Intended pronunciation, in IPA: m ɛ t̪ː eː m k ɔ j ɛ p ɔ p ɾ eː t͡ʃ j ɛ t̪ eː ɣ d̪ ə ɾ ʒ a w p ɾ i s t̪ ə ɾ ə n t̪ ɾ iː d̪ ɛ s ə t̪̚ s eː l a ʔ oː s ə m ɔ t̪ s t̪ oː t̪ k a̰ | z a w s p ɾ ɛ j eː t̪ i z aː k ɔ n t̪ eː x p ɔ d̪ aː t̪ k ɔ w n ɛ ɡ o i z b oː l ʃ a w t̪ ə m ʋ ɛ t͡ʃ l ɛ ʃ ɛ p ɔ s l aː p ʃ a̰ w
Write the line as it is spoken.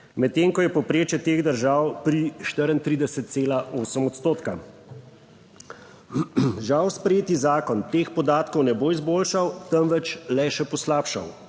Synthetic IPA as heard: m ɛ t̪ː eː ŋ k ɔ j ɛ p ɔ p ɾ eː t͡ʃ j ɛ t̪ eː ɣ d̪ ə ɾ ʒ a w p ɾ i ʃ t̪ ə ɾ ə n t̪ ɾ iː d̪ ɛ s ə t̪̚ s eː l a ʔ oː s ə m ɔ t̪ s t̪ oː t̪ k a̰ | ʒ a w s p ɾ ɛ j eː t̪ i z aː k ɔ n t̪ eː x p ɔ d̪ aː t̪ k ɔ w n ɛ b o i z b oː l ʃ a w t̪ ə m ʋ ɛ t͡ʃ l ɛ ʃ ɛ p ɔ s l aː p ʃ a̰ w

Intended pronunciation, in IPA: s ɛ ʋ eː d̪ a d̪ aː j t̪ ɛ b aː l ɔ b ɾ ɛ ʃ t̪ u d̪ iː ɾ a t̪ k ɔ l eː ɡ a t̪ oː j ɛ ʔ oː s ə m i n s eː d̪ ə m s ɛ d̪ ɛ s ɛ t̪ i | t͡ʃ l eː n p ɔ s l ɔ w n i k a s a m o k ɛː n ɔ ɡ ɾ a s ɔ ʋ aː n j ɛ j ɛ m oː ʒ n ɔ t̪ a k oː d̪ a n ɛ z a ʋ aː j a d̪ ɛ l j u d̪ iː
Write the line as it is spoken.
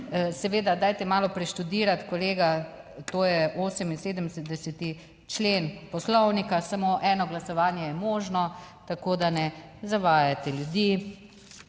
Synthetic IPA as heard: s ɛ ʋ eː d̪ a d̪ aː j t̪ ɛ m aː l ɔ p ɾ ɛ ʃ t̪ u d̪ iː ɾ a t̪ k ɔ l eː ɡ a t̪ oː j ɛ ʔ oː s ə m i n s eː d̪ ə m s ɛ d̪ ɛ s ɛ t̪ i | t͡ʃ l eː n p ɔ s l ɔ w n i k a s a m o ʔ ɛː n ɔ ɡ l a s ɔ ʋ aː n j ɛ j ɛ m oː ʒ n ɔ t̪ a k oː d̪ a n ɛ z a ʋ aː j a t̪ ɛ l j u d̪ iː

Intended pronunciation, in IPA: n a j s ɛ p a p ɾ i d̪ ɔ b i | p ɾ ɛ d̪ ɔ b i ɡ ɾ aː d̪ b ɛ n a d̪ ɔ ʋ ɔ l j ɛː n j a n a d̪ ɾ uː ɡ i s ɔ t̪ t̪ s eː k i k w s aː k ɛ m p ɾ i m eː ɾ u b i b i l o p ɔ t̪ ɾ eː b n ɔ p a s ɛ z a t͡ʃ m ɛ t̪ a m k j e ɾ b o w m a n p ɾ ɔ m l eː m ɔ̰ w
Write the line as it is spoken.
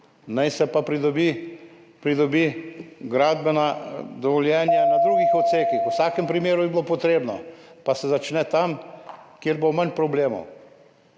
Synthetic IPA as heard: n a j s ɛ p a p ɾ i d̪ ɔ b i | p ɾ i d̪ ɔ b i ɡ ɾ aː d̪ b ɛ n a d̪ ɔ ʋ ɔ l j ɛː n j a n a d̪ ɾ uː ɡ i x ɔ t̪ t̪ s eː k i x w s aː k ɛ m p ɾ i m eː ɾ u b i b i l o p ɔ t̪ ɾ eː b n ɔ p a s ɛ z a t͡ʃ n ɛ t̪ a m k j e ɾ b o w m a n p ɾ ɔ b l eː m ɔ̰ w

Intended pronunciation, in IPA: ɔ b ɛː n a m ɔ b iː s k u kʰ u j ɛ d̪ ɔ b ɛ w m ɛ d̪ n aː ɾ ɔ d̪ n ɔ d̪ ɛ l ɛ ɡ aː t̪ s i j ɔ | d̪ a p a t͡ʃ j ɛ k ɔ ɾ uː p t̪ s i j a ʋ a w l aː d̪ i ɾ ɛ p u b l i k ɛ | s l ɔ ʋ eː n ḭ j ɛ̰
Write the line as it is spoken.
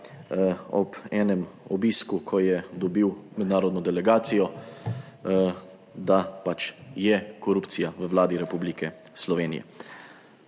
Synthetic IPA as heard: ɔ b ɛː n ɛ m ɔ b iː s k u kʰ ɔ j ɛ d̪ ɔ b i w m ɛ d̪ n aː ɾ ɔ d̪ n ɔ d̪ ɛ l ɛ ɡ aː t̪ s i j ɔ | d̪ a p a t͡ʃ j ɛ k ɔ ɾ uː p t̪ s i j a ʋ ə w l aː d̪ i ɾ ɛ p u b l i k ɛ | s l ɔ ʋ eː n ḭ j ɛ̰

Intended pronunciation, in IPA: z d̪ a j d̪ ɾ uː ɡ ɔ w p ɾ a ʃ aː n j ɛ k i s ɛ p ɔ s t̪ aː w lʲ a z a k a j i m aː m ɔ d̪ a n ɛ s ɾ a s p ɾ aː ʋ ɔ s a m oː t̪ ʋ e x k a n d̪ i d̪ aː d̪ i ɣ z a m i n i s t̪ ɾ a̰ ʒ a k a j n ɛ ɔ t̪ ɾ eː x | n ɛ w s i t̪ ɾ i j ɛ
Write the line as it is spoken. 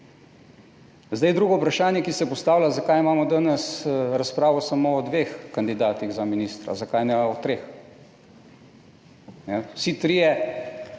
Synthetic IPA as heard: z d̪ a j d̪ ɾ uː ɡ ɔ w p ɾ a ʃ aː n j ɛ k i s ɛ p ɔ s t̪ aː w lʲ a z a k a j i m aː m ɔ d̪ a n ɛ s ɾ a s p ɾ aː ʋ ɔ s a m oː d̪ ʋ e x k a n d̪ i d̪ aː t̪ i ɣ z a m i n i s t̪ ɾ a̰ z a k a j n ɛ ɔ t̪ ɾ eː x | n ɛ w s i t̪ ɾ i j ɛ

